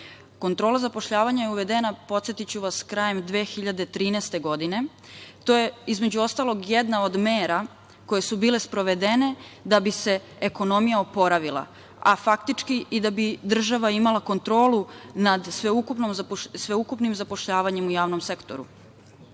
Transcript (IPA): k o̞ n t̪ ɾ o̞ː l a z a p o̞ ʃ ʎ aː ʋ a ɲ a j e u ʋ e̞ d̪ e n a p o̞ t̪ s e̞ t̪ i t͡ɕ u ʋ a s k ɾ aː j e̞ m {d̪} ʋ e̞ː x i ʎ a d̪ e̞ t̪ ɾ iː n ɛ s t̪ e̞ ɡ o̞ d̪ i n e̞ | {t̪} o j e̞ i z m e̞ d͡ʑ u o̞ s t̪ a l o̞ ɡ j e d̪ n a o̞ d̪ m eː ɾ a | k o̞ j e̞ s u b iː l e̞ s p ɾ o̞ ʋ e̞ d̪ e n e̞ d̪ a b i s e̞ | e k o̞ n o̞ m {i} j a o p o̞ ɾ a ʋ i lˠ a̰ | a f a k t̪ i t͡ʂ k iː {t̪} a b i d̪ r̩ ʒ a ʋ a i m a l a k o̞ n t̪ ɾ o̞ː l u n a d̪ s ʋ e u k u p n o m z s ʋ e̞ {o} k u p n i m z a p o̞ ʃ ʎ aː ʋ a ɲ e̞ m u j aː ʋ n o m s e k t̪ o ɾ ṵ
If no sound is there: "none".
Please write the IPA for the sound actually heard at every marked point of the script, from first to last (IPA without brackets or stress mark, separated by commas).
d̪, t̪, i, d̪, u